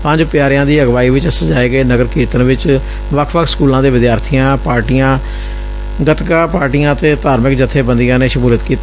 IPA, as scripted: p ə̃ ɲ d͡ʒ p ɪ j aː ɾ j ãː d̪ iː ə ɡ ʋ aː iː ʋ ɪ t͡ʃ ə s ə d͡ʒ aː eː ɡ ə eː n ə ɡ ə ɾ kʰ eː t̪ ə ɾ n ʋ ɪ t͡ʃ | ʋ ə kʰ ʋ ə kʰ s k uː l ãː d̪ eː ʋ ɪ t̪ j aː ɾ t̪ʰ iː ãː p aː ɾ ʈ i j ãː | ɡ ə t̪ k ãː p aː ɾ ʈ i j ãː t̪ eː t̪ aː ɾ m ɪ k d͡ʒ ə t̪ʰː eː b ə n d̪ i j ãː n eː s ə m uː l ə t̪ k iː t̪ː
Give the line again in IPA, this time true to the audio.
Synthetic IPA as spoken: p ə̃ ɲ d͡ʒ p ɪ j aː ɾ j ãː d̪ iː ə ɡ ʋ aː iː ʋ ɪ t͡ʃ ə s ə d͡ʒ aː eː ɡ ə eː n ə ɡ ə ɾ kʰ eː t̪ ə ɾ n ʋ ɪ t͡ʃ | ʋ ə kʰ ʋ ə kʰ s k uː l ãː d̪ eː ʋ ɪ d̪ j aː ɾ t̪ʰ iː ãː p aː ɾ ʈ i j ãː | ɡ ə t̪ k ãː p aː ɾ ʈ i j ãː t̪ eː t̪ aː ɾ m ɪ k d͡ʒ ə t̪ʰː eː b ə n d̪ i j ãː n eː ʃ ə m uː l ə t̪ k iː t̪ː